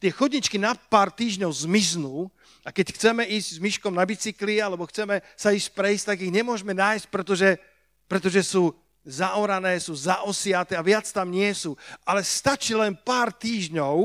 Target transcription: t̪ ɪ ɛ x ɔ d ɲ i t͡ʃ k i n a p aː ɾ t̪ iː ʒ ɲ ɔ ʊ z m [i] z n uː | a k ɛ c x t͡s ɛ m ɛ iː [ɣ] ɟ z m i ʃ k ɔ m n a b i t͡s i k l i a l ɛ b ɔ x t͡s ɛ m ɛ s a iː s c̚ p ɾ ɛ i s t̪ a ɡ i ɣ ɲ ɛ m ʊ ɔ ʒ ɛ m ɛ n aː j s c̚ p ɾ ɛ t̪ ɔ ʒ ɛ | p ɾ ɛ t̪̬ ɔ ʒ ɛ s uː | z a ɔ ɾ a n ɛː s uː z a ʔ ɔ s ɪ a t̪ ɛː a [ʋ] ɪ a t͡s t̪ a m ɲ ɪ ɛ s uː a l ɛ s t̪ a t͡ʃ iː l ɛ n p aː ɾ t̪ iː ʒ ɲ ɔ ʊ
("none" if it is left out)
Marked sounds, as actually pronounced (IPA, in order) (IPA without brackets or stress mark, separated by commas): i, z, ʋ